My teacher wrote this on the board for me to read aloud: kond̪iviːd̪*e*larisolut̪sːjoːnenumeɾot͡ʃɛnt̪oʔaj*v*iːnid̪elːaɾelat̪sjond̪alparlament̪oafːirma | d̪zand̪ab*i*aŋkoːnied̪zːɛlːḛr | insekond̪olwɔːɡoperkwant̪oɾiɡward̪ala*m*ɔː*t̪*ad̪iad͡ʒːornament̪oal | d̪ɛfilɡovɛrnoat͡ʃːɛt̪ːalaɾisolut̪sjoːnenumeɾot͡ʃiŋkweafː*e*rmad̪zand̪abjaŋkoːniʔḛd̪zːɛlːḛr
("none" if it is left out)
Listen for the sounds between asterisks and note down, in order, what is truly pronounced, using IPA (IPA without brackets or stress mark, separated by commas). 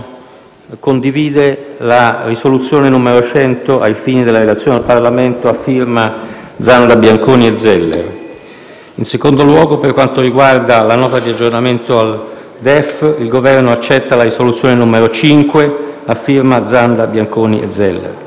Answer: e, f, j, n, t̪, i